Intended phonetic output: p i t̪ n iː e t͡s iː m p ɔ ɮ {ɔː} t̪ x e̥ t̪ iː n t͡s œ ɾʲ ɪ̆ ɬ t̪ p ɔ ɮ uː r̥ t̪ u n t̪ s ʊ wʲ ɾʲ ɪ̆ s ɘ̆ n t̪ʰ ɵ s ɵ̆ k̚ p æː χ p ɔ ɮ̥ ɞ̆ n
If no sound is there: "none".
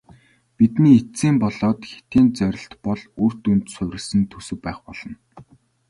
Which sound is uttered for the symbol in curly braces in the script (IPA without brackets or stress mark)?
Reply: ɔː